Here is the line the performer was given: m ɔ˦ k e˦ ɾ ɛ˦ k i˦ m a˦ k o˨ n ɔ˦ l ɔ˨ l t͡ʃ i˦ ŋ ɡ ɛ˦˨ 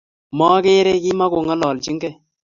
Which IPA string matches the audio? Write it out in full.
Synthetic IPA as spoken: m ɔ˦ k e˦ ɾ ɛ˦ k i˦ m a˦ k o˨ ŋ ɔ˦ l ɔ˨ l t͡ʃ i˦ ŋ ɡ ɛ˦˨